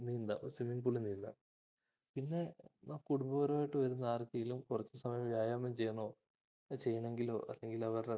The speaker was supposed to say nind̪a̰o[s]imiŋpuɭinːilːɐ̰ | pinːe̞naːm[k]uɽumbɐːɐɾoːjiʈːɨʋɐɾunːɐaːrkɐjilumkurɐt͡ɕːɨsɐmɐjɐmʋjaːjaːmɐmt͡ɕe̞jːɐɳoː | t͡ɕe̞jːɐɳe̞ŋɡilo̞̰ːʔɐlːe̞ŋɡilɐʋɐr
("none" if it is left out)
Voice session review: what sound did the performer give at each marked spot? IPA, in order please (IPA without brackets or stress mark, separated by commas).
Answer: s, k